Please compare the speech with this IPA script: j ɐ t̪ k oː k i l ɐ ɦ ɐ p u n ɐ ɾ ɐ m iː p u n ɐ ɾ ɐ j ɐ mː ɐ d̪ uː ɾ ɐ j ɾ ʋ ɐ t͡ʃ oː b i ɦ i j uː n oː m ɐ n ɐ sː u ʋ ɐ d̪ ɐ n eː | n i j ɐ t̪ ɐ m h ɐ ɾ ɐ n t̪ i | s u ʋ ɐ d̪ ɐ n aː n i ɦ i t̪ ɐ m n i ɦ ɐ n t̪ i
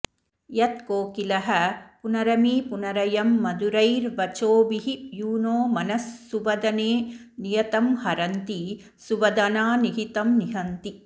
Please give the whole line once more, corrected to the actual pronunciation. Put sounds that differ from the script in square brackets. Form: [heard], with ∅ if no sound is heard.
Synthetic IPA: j ɐ t̪ k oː k i l ɐ ɦ ɐ p u n ɐ ɾ ɐ m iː p u n ɐ ɾ ɐ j ɐ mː ɐ d̪ [u] ɾ ɐ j ɾ ʋ ɐ t͡ʃ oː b i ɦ i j uː n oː m ɐ n ɐ sː u ʋ ɐ d̪ ɐ n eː | n i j ɐ t̪ ɐ m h ɐ ɾ ɐ n t̪ i | s u ʋ ɐ d̪ ɐ n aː n i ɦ i t̪ ɐ m n i ɦ ɐ n t̪ i

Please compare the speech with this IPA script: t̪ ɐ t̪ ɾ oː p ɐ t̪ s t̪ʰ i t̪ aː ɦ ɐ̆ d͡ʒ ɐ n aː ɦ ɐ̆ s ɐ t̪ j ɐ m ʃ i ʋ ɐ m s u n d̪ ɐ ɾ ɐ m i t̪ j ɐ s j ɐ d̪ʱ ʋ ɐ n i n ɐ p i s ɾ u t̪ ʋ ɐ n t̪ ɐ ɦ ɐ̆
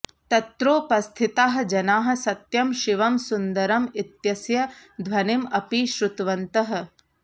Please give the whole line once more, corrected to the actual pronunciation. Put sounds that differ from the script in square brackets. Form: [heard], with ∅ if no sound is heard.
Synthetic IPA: t̪ ɐ t̪ ɾ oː p ɐ [∅] s t̪ʰ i t̪ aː ɦ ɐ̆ d͡ʒ ɐ n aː ɦ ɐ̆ s ɐ t̪ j ɐ m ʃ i ʋ ɐ m s u n d̪ ɐ ɾ ɐ m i t̪ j ɐ s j ɐ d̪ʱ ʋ ɐ n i [m] ɐ p i [ʃ] ɾ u t̪ ʋ ɐ n t̪ ɐ ɦ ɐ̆

